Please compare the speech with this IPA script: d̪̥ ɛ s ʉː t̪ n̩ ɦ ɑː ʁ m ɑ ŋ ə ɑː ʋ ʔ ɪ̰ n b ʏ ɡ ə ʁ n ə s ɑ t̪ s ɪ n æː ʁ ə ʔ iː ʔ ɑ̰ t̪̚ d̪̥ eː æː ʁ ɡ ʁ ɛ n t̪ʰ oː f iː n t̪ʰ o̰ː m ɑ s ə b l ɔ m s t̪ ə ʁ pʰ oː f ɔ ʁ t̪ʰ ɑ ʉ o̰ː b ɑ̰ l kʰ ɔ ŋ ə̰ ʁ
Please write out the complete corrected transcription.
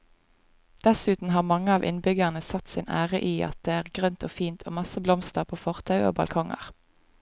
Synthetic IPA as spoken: d̪̥ ɛ s ʉː t̪ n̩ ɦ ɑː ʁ m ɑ ŋ ə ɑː ʋ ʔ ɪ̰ n b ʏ ɡ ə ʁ n ə s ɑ t̪ s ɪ n æː ʁ ə ʔ iː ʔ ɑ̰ t̪̚ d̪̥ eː æː ʁ ɡ ʁ œ n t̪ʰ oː f iː n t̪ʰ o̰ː m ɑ s ə b l ɔ m s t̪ ə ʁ pʰ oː f ɔ ʁ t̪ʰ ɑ ʉ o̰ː b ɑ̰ l kʰ ɔ ŋ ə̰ ʁ